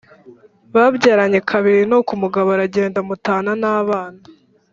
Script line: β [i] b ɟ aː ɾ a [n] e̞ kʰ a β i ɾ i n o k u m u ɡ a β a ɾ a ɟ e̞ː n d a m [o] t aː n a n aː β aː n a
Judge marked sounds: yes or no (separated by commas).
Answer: no, no, no